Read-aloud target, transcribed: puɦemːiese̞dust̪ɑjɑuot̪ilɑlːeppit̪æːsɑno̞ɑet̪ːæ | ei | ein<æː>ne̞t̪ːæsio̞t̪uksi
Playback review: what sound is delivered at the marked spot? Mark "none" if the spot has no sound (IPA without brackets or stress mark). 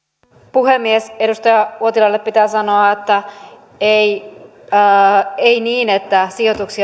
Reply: iː